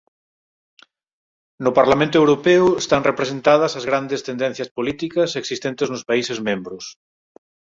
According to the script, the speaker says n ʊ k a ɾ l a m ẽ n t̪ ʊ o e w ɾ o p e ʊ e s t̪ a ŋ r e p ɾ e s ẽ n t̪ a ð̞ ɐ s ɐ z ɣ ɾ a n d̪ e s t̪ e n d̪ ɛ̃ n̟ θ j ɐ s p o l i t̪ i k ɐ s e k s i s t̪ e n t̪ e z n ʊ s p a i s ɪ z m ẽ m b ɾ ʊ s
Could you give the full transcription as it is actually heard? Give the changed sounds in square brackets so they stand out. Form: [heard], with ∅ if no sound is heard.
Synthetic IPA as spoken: n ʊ [p] a ɾ l a m ẽ n t̪ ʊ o e w ɾ o p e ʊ e s t̪ a ŋ r e p ɾ e s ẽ n t̪ a ð̞ ɐ s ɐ z ɣ ɾ a n d̪ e s t̪ e n d̪ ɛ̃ n̟ θ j ɐ s p o l i t̪ i k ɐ s e k s i s t̪ e n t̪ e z n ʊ s p a i s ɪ z m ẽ m b ɾ ʊ s